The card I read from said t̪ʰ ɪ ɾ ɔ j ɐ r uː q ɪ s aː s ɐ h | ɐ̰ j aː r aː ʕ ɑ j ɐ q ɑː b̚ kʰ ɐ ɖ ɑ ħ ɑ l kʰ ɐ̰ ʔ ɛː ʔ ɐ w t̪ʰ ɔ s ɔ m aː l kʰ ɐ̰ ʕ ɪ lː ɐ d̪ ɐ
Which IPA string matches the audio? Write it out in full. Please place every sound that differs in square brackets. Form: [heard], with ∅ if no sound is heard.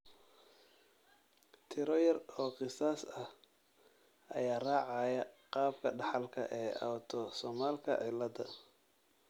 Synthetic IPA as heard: t̪ʰ ɪ ɾ ɔ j ɐ r [ɔː] q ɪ s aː s ɐ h | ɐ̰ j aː r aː ʕ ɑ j ɐ q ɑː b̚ kʰ ɐ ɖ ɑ ħ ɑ l kʰ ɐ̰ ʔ ɛː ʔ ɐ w t̪ʰ ɔ s ɔ m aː l kʰ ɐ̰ ʕ ɪ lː ɐ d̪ ɐ